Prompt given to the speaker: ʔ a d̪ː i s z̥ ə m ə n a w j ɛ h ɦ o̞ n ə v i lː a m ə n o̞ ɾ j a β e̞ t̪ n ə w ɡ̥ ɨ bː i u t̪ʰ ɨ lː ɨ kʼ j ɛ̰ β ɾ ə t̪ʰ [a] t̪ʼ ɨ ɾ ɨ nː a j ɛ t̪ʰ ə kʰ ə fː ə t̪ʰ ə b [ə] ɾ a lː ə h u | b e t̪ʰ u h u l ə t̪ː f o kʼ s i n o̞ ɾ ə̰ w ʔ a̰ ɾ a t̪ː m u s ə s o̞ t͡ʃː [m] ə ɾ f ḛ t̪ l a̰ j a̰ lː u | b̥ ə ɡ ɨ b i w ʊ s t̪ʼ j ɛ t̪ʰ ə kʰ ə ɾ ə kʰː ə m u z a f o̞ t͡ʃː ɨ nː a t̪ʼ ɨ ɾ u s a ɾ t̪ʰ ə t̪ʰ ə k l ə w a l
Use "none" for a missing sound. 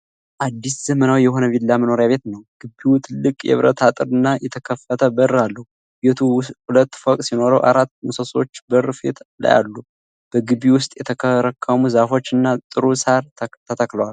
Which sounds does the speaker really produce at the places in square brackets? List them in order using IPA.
a, ə, b

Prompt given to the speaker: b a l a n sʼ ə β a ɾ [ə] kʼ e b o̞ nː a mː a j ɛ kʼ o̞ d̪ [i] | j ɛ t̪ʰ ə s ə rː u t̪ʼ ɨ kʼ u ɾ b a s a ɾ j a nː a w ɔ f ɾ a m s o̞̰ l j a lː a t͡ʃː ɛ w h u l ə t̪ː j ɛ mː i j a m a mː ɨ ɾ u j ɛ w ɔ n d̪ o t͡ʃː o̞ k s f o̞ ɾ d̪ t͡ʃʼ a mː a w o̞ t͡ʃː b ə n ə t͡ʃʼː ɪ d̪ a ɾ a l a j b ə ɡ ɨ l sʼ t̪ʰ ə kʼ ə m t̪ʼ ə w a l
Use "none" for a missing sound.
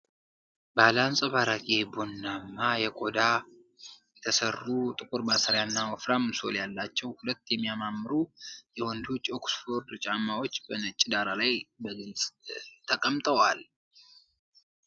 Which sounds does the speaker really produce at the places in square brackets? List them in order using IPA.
a, a

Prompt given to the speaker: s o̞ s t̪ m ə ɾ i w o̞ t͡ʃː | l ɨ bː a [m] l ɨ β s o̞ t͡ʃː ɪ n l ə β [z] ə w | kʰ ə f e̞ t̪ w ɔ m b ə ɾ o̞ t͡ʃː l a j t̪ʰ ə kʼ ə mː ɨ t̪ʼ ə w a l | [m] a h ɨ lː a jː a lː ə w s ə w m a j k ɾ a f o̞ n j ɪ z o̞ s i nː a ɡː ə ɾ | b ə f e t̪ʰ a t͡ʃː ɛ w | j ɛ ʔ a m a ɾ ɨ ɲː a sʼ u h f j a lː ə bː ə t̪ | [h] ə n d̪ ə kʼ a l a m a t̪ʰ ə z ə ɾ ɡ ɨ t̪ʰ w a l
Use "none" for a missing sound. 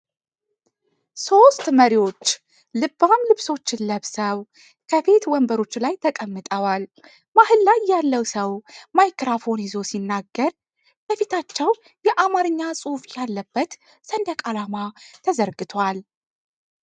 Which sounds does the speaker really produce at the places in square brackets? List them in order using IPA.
m, s, m, s

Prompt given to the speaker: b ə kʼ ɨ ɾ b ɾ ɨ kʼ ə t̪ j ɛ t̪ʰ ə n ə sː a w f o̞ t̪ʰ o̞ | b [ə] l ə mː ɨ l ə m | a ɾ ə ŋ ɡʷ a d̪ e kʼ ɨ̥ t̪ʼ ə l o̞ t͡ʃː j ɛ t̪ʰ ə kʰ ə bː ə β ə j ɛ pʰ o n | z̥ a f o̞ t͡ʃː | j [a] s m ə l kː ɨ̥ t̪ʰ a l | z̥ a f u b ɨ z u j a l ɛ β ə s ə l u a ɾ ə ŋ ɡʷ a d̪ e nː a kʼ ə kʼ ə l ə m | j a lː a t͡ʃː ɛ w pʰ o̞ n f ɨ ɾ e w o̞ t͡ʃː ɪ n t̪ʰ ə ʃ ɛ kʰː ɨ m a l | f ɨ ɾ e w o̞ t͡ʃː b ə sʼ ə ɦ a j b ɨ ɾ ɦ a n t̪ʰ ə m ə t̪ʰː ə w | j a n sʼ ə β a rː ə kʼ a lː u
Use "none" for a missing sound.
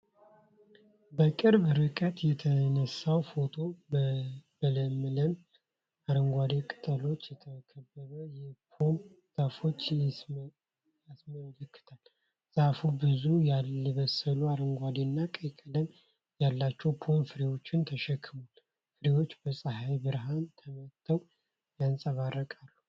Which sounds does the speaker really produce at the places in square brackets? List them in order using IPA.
ə, a

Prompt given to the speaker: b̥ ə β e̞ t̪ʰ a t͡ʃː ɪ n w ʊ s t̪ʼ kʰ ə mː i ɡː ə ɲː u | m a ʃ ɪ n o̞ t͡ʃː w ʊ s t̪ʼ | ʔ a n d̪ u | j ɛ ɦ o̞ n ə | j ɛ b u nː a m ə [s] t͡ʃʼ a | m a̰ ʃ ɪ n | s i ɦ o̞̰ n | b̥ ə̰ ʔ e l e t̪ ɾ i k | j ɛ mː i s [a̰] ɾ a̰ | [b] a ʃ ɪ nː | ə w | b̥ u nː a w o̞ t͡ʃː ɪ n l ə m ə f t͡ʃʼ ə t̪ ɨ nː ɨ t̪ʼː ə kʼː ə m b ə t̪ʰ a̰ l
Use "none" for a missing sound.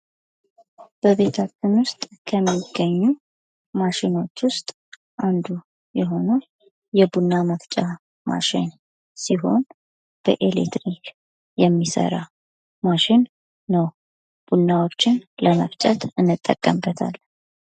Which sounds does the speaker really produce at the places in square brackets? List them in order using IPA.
f, ə̰, m

